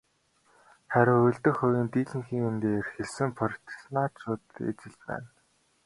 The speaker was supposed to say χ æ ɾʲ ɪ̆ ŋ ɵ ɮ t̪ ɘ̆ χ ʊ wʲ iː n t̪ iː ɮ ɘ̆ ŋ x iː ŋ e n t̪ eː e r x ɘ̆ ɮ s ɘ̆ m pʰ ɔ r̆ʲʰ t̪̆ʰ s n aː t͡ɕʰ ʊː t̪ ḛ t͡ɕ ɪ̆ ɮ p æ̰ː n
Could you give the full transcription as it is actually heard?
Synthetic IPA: χ æ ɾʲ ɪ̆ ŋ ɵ ɮ t̪ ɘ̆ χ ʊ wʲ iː n t̪ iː ɮ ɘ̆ ŋ x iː ŋ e n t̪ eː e r x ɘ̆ ɮ s ɘ̆ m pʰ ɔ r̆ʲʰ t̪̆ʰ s n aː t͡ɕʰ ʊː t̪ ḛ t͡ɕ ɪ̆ ɮ p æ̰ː n